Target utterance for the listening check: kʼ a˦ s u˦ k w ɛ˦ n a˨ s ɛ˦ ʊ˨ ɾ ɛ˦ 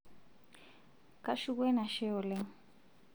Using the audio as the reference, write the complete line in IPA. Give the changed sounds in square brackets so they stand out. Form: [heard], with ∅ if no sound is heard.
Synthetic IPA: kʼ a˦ [ʃ] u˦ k w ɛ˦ n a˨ [ʃ] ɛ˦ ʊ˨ [l] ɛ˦